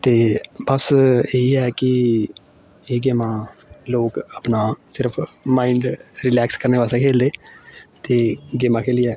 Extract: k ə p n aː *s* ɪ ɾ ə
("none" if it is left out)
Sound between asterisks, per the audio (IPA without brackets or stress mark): s